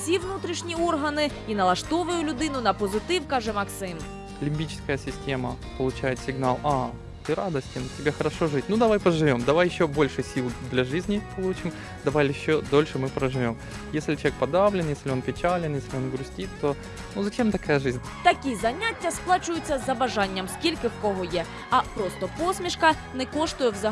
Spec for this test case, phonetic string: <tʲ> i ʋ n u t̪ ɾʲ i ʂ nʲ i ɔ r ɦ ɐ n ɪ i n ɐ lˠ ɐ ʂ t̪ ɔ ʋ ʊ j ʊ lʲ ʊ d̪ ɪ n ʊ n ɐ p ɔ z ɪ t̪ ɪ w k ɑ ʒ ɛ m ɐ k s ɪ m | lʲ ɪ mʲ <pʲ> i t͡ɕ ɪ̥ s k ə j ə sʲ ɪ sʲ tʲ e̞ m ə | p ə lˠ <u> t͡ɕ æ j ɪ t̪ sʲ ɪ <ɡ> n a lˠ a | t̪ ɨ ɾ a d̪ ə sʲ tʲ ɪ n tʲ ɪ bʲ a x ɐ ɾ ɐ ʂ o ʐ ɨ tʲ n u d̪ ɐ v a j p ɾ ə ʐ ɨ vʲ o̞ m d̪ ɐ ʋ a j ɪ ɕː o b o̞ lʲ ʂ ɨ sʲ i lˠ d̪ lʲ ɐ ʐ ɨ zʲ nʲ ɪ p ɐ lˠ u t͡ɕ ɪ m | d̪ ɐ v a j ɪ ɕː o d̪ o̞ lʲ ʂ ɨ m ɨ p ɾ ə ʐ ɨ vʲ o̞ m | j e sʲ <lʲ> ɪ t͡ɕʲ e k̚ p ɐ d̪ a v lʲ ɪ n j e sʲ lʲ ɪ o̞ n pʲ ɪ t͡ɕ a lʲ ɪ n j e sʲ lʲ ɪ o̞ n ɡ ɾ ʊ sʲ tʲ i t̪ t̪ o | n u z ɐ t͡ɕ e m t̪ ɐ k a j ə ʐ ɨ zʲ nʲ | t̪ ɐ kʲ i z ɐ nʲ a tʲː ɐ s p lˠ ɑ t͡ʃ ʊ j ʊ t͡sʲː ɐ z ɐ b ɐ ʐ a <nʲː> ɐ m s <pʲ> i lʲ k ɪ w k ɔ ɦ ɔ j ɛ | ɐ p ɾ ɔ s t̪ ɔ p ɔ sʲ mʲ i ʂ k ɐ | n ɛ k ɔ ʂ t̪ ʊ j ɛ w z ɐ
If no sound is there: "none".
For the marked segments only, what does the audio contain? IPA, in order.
sʲ, bʲ, ʊ, ɡ, lʲ, nʲː, kʲ

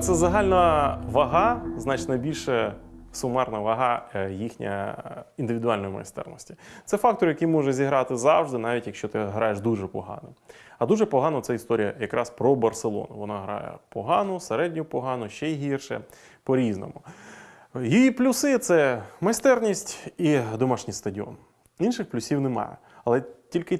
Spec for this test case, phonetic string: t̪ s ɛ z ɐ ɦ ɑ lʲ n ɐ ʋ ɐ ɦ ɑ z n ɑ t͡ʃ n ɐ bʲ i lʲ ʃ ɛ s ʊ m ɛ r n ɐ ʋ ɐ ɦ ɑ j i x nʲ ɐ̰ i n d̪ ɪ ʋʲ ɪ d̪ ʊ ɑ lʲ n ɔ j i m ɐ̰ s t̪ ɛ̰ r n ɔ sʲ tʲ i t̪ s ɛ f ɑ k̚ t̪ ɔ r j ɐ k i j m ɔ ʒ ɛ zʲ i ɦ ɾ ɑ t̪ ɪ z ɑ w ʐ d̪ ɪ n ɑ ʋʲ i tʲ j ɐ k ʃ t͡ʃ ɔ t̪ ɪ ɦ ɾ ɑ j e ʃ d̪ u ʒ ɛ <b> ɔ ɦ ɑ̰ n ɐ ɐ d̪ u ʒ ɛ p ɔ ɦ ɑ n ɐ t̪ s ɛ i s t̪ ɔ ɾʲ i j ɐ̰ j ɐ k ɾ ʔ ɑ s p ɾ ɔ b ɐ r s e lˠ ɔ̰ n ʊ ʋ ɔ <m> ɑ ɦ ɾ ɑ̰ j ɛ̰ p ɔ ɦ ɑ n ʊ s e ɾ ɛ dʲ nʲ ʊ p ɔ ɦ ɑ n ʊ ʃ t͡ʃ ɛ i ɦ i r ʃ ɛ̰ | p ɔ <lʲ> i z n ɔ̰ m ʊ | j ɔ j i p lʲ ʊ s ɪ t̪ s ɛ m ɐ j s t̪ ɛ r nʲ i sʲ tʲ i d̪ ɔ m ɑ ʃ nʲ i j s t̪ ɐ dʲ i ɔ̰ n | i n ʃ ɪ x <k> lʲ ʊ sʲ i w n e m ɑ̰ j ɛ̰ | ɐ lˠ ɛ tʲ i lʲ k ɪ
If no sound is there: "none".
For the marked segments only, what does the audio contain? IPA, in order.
p, n, ɾʲ, p

